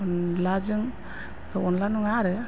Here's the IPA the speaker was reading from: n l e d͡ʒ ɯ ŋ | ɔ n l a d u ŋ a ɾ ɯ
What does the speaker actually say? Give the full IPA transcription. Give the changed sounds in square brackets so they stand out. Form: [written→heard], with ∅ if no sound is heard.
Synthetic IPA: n l [e→a] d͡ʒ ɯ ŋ | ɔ n l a [d→n] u ŋ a ɾ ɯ